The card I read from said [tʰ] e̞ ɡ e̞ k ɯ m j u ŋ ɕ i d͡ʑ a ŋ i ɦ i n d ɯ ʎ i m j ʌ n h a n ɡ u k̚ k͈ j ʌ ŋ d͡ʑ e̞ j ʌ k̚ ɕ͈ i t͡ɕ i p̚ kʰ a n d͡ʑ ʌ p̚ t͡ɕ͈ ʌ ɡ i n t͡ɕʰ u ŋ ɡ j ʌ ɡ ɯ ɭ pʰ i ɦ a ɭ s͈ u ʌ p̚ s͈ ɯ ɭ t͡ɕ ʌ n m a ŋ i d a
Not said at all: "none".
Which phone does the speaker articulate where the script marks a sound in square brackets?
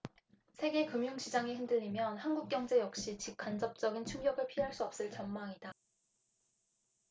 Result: sʰ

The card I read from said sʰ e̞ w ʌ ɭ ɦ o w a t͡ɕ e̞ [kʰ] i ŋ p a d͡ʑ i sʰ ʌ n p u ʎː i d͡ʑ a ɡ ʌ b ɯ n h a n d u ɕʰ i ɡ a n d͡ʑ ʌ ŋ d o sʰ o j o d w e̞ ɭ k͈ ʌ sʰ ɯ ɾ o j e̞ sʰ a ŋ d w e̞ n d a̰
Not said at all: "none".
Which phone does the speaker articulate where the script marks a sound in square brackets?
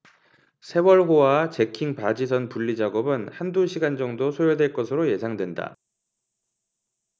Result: kʰ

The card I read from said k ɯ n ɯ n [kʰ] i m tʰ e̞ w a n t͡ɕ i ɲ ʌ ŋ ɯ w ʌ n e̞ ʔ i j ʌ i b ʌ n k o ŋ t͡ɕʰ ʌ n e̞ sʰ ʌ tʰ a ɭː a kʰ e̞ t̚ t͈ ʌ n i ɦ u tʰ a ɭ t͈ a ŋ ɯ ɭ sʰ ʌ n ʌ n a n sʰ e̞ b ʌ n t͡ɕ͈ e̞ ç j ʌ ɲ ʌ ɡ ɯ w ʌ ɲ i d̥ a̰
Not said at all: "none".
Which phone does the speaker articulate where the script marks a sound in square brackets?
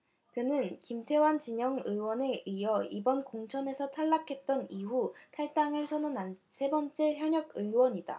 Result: k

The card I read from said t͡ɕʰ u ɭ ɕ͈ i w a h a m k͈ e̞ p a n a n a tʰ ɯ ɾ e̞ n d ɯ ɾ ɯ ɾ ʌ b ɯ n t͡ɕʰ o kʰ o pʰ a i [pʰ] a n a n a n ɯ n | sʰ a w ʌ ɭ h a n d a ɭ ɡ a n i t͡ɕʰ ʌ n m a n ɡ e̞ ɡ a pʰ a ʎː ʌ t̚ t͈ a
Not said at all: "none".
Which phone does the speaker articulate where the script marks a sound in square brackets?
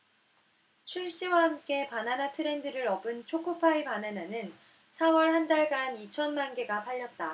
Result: p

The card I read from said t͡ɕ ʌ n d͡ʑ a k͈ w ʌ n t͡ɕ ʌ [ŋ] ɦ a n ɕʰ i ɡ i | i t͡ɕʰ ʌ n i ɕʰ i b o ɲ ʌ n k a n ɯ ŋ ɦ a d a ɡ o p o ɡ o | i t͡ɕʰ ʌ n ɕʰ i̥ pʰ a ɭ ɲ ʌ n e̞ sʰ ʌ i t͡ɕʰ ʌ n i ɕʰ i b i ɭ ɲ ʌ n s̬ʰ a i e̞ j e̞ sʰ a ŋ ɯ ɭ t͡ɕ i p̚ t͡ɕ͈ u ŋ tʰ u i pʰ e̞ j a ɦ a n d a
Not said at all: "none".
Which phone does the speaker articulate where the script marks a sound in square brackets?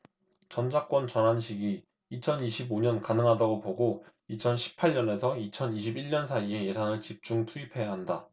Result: n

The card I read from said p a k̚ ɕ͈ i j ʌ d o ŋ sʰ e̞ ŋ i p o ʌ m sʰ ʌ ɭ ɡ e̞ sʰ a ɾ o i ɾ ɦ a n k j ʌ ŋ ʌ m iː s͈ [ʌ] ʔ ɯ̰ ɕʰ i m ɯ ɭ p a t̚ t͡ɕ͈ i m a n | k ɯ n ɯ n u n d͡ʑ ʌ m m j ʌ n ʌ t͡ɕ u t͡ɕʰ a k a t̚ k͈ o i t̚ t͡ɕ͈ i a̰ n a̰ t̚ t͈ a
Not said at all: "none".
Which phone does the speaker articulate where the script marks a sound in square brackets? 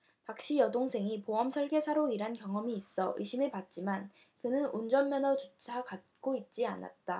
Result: ʌ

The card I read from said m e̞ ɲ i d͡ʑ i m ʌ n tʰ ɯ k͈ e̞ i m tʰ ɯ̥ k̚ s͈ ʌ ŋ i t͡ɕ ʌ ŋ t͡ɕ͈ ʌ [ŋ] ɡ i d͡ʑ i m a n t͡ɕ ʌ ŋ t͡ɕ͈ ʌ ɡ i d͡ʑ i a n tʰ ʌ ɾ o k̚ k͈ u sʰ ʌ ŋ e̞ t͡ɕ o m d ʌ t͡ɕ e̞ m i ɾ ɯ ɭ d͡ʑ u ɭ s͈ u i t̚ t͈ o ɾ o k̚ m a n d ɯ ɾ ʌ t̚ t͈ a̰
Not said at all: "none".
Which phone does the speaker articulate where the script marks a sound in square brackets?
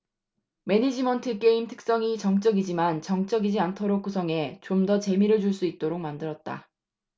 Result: none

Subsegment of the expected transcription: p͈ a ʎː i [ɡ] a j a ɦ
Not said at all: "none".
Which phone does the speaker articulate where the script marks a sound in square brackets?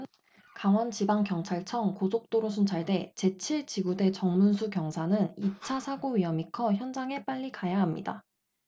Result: k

